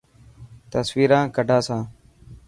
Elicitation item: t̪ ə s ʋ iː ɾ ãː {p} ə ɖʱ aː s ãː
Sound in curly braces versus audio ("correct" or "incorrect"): incorrect